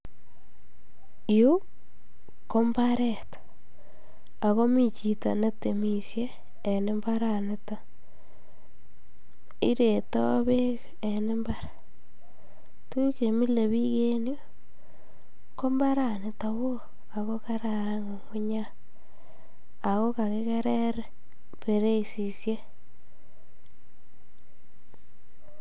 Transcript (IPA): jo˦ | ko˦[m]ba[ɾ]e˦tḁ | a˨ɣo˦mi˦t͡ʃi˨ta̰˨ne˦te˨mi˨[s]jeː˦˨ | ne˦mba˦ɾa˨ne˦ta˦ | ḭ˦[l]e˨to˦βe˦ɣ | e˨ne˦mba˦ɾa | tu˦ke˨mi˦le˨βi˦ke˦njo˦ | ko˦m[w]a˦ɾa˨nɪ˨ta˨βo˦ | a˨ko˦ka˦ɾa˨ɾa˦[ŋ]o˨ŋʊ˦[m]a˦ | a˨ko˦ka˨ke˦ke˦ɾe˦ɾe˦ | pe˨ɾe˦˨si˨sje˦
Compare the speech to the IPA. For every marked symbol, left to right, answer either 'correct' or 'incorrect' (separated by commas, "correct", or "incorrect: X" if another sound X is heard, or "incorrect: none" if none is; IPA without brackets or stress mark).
correct, correct, correct, incorrect: ɾ, incorrect: b, correct, incorrect: ɲ